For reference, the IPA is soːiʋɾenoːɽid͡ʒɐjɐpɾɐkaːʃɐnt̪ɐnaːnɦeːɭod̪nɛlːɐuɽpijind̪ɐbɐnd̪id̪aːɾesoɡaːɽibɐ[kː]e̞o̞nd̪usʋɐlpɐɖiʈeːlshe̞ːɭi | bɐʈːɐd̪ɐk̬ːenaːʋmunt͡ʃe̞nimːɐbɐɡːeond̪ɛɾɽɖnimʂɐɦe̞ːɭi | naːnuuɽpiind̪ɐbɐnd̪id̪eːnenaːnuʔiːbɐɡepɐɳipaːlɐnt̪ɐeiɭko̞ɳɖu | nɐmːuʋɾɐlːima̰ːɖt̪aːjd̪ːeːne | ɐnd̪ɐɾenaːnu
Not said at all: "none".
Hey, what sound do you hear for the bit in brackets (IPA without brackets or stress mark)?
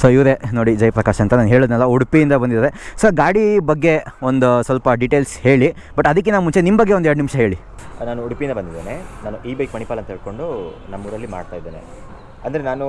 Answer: ɡː